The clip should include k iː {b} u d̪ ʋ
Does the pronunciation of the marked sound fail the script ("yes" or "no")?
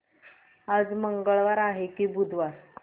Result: no